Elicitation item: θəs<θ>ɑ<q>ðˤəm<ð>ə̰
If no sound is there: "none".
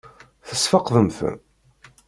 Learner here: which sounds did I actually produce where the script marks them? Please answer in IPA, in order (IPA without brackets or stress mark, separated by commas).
f, q, θ